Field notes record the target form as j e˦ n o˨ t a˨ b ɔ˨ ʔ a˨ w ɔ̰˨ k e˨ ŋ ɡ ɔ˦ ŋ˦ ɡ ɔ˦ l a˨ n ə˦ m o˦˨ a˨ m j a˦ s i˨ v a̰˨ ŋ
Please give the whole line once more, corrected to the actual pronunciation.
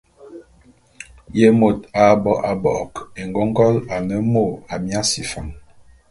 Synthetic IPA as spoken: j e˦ m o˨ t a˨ b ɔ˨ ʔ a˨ b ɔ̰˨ k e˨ ŋ ɡ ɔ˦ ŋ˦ ɡ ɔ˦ l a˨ n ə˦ m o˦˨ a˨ m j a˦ s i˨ f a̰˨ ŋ